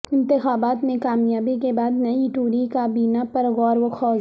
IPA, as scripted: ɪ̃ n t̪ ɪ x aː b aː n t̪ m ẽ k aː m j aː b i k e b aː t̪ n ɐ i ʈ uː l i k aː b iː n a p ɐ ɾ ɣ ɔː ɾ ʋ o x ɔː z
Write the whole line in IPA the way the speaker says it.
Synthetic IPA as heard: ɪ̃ n t̪ ɪ x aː b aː t̪ m ẽ k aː m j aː b i k e b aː d̪ n ɐ i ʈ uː ɾ i k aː b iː n a p ɐ ɾ ɣ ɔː ɾ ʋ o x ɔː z